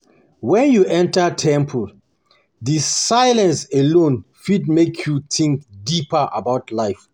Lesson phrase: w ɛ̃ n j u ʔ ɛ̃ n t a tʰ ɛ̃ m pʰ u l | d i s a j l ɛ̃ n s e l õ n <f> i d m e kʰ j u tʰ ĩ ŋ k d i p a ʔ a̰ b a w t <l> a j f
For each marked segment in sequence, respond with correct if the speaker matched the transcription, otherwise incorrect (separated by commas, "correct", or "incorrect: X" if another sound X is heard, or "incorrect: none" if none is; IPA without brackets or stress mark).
correct, correct